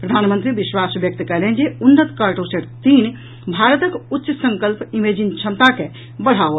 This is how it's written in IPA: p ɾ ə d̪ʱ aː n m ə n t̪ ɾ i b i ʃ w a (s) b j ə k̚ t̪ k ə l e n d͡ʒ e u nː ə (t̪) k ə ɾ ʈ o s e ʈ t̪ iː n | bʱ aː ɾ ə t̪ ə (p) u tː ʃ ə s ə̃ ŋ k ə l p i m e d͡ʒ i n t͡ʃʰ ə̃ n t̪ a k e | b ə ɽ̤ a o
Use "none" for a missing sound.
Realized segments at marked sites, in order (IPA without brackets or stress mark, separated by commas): s, t̪, k